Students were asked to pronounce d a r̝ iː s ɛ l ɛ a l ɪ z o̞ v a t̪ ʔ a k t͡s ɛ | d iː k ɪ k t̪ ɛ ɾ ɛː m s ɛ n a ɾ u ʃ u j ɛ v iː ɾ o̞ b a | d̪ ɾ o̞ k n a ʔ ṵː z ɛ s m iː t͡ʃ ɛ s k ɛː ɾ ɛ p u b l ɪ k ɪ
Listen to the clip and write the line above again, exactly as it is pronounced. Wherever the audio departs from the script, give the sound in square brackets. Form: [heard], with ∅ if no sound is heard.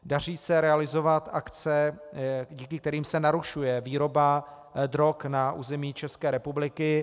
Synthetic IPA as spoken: d a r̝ iː s ɛ [ɾ] ɛ a l ɪ z o̞ v a t̪ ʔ a k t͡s ɛ | [ɟ] iː k ɪ k t̪ ɛ ɾ [iː] m s ɛ n a ɾ u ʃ u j ɛ v iː ɾ o̞ b a | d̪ ɾ o̞ k n a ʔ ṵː z ɛ [∅] m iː t͡ʃ ɛ s k ɛː ɾ ɛ p u b l ɪ k ɪ

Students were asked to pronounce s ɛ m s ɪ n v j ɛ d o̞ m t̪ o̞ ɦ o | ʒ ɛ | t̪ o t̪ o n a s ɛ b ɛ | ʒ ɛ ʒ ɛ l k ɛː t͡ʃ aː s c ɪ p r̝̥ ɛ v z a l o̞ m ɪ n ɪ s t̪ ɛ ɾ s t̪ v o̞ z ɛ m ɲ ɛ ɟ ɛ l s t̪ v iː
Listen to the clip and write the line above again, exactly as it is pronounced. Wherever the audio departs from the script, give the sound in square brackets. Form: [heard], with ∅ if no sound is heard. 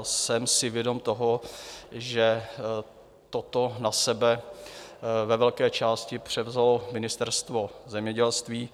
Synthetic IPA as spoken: s ɛ m s ɪ [∅] v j ɛ d o̞ m t̪ o̞ ɦ o | ʒ ɛ | t̪ o t̪ o n a s ɛ b ɛ | [v] ɛ [v] ɛ l k ɛː t͡ʃ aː s c ɪ p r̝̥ ɛ v z a l o̞ m ɪ n ɪ s t̪ ɛ ɾ s t̪ v o̞ z ɛ m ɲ ɛ ɟ ɛ l s t̪ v iː

